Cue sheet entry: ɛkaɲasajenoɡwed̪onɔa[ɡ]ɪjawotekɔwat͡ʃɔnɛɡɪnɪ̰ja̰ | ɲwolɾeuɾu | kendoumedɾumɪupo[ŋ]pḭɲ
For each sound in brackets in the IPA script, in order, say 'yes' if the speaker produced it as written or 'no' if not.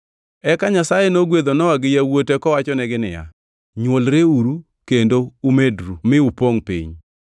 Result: yes, yes

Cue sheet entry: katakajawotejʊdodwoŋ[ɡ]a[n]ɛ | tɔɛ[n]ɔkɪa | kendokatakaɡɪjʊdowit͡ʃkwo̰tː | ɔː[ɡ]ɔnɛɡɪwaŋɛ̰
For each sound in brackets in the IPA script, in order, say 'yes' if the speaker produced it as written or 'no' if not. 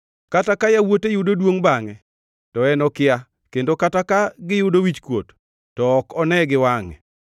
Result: no, no, yes, no

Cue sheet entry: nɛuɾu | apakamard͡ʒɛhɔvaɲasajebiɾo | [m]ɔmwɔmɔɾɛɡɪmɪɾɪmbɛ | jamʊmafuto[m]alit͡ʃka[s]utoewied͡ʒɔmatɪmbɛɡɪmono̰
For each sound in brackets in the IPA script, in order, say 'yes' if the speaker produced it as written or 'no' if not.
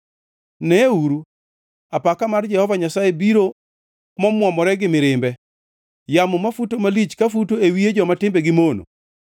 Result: yes, yes, no

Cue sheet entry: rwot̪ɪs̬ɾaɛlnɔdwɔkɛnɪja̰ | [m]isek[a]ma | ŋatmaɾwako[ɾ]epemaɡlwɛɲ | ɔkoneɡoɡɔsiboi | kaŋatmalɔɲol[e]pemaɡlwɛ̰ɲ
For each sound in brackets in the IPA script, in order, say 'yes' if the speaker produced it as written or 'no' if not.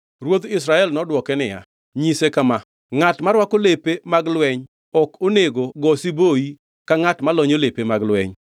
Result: no, yes, no, yes

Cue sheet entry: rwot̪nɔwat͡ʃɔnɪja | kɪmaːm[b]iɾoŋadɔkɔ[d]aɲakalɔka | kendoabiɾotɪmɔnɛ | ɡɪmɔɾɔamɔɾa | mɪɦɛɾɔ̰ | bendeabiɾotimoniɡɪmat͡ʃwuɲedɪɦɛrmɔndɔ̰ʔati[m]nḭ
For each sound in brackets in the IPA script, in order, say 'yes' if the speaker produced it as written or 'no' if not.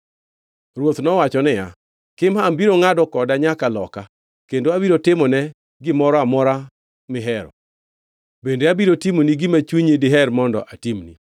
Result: yes, yes, yes

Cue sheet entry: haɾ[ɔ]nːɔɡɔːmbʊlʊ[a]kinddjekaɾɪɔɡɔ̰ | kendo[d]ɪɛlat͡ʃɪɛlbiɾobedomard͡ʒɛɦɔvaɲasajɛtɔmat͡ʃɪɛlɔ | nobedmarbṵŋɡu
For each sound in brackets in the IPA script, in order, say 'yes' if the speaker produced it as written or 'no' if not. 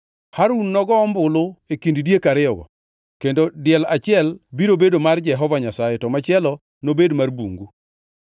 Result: no, no, yes

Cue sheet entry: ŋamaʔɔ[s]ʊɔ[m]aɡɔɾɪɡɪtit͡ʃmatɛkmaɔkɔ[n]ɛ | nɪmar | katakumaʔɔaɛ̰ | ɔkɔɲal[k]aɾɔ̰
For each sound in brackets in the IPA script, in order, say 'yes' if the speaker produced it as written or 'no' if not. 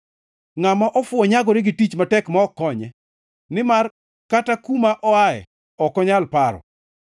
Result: no, no, no, no

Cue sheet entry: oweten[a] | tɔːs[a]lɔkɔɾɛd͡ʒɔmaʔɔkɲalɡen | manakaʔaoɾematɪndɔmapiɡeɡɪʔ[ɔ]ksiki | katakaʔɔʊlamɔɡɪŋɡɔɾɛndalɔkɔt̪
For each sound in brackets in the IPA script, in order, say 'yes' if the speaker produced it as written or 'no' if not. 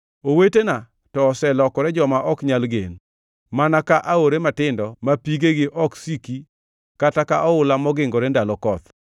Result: yes, no, yes

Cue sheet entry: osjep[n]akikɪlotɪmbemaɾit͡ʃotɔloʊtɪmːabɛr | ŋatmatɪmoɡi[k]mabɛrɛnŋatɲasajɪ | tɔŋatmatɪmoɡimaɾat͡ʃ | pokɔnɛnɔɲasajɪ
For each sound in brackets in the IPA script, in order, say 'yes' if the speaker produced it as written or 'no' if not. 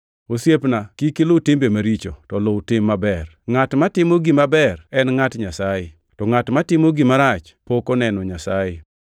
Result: yes, no

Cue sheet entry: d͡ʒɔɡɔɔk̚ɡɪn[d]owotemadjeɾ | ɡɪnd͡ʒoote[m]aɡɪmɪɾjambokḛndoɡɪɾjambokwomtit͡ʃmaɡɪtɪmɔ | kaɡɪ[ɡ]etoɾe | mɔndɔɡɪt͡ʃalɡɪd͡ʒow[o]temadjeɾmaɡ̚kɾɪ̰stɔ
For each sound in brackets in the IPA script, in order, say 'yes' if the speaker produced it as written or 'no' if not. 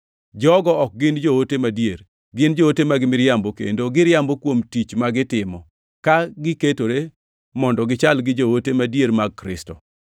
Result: no, yes, no, yes

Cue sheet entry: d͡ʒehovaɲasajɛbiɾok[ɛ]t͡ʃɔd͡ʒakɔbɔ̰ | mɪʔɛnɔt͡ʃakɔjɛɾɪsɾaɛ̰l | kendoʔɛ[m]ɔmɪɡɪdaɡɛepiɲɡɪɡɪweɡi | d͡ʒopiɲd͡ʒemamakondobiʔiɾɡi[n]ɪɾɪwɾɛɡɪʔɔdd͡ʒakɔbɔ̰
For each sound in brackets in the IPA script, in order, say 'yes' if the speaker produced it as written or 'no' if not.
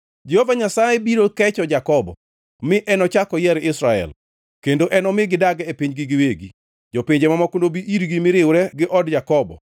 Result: yes, no, no

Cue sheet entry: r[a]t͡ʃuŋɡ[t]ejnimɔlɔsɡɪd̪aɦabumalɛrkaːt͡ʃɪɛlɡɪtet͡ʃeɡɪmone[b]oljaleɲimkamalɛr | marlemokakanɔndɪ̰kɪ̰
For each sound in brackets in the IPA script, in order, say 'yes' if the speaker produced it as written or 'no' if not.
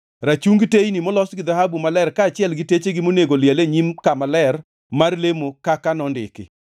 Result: yes, yes, no

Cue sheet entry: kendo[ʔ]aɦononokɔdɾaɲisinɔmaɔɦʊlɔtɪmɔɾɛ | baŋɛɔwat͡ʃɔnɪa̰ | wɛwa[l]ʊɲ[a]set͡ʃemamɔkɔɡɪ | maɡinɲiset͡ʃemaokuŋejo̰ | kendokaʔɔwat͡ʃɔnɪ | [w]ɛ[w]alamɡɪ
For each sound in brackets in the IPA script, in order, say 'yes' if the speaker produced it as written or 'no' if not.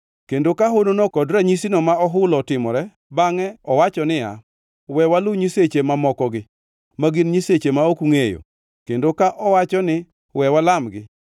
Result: no, yes, no, yes, yes

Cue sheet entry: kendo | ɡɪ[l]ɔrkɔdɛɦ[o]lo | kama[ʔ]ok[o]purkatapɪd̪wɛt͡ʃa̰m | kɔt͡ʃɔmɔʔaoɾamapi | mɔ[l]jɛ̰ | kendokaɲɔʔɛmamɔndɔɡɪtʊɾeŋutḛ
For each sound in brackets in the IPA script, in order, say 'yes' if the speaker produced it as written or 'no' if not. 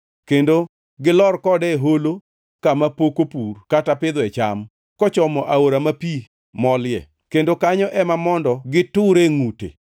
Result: yes, yes, no, yes, yes

